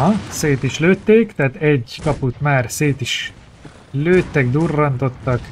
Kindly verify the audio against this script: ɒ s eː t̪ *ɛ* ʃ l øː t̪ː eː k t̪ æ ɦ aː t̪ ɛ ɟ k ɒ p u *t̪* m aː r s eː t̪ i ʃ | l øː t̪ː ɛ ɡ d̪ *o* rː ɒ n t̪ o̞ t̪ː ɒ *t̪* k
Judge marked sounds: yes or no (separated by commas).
no, yes, no, no